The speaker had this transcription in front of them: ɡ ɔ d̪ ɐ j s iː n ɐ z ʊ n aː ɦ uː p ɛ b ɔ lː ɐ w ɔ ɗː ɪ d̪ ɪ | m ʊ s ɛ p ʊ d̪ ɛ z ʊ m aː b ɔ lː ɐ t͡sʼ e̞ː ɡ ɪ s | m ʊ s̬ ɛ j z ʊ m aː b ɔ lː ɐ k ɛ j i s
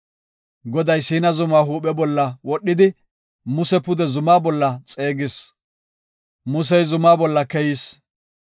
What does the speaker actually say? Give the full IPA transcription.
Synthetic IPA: ɡ ɔ d̪ ɐ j s iː n ɐ z ʊ m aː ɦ uː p ɛ b ɔ lː ɐ w ɔ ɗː ɪ d̪ ɪ | m ʊ s ɛ p ʊ d̪ ɛ z ʊ m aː b ɔ lː ɐ t͡sʼ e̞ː ɡ ɪ s | m ʊ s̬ ɛ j z ʊ m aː b ɔ lː ɐ k ɛ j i s